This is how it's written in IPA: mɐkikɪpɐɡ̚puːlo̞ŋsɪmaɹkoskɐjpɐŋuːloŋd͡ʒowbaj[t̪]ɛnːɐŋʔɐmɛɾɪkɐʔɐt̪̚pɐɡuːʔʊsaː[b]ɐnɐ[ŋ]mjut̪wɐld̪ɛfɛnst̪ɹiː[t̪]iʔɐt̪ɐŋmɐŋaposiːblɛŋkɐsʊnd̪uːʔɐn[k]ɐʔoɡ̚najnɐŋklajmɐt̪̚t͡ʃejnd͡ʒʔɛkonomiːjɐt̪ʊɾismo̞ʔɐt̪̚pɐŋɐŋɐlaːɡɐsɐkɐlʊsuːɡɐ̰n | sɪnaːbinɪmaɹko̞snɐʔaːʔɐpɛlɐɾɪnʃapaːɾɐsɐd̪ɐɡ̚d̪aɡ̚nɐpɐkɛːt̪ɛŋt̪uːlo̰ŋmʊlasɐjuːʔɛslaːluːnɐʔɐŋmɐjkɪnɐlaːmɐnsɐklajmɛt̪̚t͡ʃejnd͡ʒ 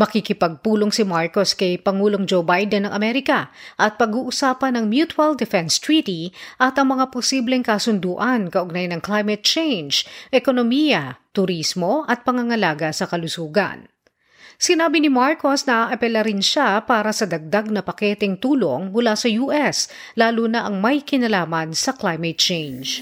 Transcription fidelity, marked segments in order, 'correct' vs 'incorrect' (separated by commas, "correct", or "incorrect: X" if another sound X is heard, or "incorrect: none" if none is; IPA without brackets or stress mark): incorrect: d̪, incorrect: p, correct, correct, correct